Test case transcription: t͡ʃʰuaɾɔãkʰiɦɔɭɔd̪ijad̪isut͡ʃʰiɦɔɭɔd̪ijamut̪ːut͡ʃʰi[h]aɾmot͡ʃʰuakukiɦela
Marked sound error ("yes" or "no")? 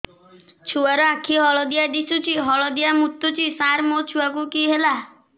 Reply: yes